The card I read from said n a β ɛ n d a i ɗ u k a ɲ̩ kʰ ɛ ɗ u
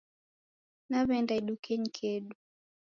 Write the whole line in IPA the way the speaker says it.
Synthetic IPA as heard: n a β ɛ n d a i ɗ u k ɛ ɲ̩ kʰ ɛ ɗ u